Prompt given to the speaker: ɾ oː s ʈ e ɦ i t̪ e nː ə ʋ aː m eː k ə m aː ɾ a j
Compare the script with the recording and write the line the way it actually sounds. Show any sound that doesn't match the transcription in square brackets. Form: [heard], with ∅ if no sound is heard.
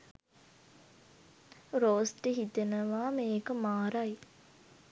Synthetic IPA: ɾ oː s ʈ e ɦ i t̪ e [n] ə ʋ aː m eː k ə m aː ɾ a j

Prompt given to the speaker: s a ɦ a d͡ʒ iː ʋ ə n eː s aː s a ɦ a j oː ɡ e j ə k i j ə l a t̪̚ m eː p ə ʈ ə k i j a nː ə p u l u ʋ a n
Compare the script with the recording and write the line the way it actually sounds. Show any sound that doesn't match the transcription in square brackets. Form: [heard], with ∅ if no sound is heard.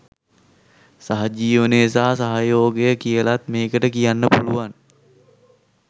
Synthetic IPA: s a ɦ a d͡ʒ iː ʋ ə n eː s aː s a ɦ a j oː ɡ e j ə k i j ə l a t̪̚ m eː [k] ə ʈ ə k i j a nː ə p u l u ʋ a n

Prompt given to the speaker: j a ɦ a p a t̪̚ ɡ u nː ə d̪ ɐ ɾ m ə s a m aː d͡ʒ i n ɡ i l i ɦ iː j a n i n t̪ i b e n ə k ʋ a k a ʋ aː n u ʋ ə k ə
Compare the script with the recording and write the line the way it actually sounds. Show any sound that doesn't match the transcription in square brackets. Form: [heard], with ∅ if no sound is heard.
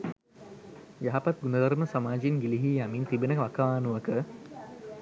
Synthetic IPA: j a ɦ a p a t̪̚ ɡ u [n] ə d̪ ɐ ɾ m ə s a m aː d͡ʒ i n ɡ i l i ɦ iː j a [m] i n t̪ i b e n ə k ʋ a k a ʋ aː n u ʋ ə k ə

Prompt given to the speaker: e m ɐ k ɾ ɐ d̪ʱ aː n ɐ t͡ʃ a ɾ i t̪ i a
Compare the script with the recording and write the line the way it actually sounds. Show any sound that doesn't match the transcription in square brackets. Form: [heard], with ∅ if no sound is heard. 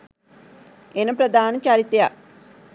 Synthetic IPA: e [n] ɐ [p] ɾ ɐ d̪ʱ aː n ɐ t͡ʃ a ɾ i t̪ [j] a

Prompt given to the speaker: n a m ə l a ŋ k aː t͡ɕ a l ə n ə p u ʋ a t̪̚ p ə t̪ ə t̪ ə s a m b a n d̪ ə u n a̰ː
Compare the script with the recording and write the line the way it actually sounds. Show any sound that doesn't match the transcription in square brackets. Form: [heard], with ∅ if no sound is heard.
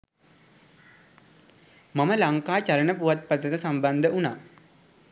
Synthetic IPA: [m] a m ə l a ŋ k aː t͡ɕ a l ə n ə p u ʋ a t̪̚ p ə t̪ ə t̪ ə s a m b a n d̪ ə u n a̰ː

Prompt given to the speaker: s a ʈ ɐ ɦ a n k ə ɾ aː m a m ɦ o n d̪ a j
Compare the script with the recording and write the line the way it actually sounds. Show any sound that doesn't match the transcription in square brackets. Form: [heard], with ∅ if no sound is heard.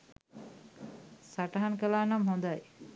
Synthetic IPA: s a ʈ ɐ ɦ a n k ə [l] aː [n] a m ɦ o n d̪ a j

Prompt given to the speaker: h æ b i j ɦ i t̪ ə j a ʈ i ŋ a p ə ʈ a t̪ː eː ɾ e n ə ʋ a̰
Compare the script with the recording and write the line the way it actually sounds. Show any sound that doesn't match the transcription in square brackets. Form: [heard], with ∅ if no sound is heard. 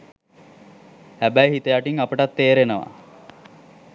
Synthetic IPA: h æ b [æ] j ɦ i t̪ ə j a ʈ i ŋ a p ə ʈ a t̪ː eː ɾ e n ə ʋ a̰

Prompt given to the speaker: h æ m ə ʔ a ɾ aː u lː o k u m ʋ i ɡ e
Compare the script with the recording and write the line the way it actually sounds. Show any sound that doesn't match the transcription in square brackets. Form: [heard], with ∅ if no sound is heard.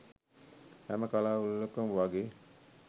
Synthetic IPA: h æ m ə [k] a [l] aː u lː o k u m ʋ [a] ɡ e

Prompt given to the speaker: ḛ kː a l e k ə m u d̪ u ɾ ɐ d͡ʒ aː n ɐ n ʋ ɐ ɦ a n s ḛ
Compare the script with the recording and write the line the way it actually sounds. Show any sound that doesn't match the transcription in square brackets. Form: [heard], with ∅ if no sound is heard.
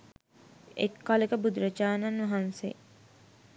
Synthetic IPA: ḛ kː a l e k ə [b] u d̪ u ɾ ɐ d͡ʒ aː n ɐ n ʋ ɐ ɦ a n s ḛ

